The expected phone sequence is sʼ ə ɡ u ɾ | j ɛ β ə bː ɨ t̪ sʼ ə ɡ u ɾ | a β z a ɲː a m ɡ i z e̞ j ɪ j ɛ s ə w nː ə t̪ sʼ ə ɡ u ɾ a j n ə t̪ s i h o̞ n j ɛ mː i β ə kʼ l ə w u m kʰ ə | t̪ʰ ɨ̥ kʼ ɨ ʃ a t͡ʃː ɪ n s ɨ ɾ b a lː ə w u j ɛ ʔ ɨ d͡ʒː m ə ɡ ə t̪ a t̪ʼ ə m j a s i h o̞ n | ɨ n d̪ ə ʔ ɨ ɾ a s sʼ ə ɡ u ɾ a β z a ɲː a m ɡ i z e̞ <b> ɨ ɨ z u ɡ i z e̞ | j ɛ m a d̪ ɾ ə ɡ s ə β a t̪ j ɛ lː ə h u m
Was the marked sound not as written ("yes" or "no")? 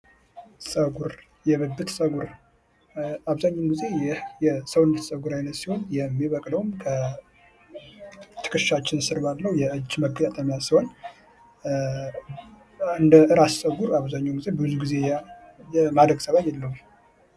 no